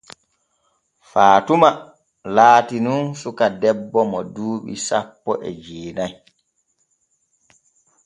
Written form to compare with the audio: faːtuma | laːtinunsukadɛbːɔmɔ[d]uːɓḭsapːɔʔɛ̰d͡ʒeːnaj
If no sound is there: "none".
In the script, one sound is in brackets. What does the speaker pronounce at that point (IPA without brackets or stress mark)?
d